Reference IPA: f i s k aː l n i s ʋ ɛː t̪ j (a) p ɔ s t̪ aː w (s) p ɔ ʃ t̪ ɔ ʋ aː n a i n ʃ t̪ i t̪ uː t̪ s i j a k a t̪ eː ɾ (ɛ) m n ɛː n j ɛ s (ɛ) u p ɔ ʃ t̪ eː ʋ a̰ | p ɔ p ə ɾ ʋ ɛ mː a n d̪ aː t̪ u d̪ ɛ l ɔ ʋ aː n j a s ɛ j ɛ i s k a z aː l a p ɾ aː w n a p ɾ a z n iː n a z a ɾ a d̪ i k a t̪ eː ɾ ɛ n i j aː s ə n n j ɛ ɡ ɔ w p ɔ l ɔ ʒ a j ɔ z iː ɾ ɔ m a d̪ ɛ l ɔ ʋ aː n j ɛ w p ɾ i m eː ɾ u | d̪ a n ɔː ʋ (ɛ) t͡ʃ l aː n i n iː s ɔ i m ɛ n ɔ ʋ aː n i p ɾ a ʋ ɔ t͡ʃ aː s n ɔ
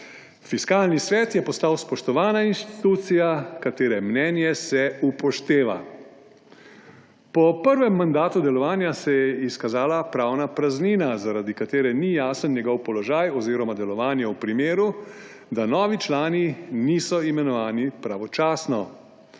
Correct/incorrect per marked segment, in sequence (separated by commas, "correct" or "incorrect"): incorrect, correct, correct, correct, incorrect